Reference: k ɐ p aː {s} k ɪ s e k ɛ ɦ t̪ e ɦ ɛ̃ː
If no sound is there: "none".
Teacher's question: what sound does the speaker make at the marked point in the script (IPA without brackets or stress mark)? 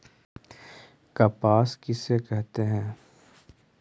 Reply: s